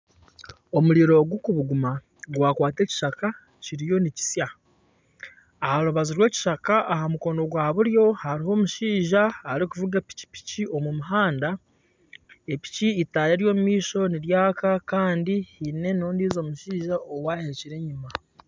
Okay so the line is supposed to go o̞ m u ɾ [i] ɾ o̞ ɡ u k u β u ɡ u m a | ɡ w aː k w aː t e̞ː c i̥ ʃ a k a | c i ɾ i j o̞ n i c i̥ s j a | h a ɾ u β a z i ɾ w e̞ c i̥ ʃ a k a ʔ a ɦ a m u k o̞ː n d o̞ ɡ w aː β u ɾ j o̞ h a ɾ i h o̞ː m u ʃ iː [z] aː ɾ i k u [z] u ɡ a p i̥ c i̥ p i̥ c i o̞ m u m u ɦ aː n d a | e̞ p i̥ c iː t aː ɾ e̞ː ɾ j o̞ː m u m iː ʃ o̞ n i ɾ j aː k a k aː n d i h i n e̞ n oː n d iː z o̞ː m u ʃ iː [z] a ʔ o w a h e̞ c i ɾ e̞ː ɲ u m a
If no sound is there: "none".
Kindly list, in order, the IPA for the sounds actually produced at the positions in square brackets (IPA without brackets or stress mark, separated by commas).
i, ʒ, v, ʒ